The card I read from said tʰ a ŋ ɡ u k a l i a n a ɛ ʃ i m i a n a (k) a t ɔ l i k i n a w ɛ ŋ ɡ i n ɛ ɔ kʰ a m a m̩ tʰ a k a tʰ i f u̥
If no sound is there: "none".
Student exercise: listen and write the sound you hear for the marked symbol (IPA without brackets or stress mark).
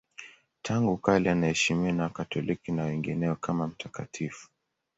k